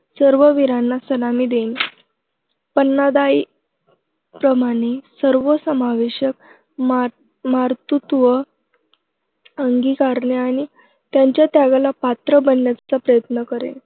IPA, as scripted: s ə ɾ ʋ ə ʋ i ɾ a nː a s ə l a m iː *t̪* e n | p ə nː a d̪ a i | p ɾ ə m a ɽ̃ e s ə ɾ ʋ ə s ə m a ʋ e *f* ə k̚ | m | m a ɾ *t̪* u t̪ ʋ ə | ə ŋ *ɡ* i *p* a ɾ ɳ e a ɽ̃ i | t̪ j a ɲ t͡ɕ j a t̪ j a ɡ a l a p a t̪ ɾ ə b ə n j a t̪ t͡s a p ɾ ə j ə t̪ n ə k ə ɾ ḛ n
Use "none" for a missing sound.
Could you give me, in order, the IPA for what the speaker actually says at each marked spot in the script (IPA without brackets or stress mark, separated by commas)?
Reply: d̪, ɕ, t̪, ɡ, k